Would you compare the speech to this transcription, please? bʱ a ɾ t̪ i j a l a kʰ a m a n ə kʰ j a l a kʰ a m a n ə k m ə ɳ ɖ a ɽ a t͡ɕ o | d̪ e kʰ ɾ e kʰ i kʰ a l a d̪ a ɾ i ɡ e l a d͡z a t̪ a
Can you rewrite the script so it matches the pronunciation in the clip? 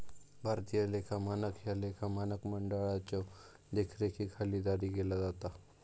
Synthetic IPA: bʱ a ɾ t̪ i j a l e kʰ a m a n ə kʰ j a l e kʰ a m a n ə k m ə ɳ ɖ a ɭ a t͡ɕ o | d̪ e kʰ ɾ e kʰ i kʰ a l i d̪ a ɾ i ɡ e l a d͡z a t̪ a